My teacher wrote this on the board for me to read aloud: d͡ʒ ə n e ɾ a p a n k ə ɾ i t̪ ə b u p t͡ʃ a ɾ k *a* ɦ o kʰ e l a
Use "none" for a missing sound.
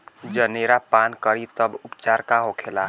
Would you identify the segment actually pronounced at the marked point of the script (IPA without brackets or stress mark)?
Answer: a